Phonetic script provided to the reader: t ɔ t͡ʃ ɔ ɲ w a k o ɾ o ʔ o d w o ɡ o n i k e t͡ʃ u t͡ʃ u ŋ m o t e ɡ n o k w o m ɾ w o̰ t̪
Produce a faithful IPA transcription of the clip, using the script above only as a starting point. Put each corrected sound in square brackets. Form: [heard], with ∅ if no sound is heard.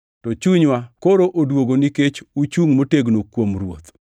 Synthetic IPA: t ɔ t͡ʃ [u] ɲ w a k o ɾ o ʔ o d w o ɡ o n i k e t͡ʃ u t͡ʃ u ŋ m o t e ɡ n o k w o m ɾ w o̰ t̪